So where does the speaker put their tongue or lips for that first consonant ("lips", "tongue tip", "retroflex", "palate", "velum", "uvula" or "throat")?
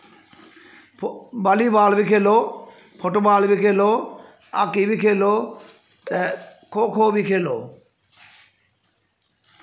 lips